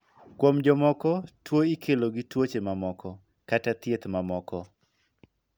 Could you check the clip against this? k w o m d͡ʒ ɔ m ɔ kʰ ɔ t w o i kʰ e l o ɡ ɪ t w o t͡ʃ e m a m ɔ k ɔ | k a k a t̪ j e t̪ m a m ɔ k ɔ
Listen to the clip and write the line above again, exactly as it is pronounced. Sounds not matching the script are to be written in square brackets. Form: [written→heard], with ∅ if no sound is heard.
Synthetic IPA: k w o m d͡ʒ ɔ m ɔ [kʰ→k] ɔ t w o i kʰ e l o ɡ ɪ t w o t͡ʃ e m a m ɔ k ɔ | k a [k→t] a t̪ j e t̪ m a m ɔ k ɔ